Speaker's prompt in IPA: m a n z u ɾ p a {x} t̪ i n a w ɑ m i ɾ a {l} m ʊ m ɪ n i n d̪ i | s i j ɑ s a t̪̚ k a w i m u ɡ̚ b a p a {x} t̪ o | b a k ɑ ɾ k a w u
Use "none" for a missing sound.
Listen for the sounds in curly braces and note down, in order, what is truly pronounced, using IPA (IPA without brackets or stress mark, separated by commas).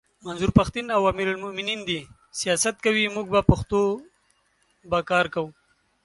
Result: x, l, x